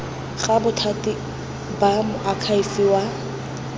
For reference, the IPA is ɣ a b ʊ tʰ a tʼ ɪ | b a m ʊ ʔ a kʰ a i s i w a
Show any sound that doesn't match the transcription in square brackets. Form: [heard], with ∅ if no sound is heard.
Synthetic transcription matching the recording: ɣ a b ʊ tʰ a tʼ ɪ | b a m ʊ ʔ a kʰ a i [f] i w a